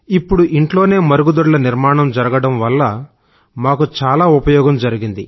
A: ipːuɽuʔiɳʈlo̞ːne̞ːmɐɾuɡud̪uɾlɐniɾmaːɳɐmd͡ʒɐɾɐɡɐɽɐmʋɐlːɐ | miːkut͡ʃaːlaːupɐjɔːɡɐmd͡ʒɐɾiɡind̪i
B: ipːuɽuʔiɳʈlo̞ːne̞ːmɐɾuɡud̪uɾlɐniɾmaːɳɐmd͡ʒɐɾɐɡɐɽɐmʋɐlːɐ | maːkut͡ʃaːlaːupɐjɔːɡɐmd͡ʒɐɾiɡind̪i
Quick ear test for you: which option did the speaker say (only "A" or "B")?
B